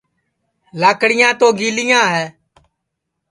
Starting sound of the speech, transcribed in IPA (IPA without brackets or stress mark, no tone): l